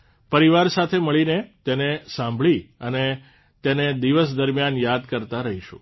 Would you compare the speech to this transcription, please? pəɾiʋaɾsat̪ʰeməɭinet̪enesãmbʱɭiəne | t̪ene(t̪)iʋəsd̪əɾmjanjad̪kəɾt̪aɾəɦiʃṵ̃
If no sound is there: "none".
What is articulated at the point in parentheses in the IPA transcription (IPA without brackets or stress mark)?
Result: d̪